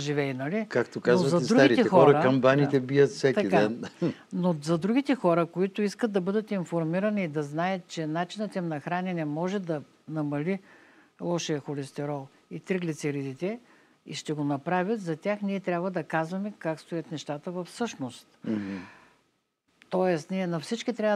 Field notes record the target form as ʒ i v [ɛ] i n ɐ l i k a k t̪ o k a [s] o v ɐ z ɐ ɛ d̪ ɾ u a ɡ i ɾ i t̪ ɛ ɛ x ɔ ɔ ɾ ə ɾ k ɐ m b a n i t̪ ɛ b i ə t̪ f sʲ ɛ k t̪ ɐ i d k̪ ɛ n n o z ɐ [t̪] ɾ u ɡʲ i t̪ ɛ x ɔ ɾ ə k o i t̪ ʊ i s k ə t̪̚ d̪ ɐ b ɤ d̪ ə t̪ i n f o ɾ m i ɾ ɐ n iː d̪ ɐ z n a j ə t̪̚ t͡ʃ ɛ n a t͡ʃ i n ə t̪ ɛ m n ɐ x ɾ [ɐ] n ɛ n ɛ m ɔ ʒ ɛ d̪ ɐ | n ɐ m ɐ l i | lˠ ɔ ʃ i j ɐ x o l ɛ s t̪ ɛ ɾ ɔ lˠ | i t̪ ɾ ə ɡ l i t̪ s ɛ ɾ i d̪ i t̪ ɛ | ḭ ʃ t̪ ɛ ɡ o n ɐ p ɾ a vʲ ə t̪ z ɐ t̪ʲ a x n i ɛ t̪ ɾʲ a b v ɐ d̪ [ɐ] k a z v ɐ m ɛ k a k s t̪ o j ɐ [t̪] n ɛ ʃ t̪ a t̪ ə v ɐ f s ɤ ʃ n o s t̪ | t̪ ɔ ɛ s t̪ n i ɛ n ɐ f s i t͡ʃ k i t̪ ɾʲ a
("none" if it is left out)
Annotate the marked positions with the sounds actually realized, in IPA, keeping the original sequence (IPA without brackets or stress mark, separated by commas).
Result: ɛ, z, d̪, a, ɐ, t̪